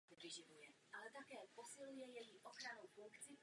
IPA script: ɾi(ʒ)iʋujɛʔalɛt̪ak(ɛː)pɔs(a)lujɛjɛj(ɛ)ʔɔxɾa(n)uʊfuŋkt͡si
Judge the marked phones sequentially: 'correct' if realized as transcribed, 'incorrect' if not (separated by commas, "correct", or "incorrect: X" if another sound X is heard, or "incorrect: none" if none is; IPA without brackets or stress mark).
correct, correct, incorrect: i, incorrect: i, correct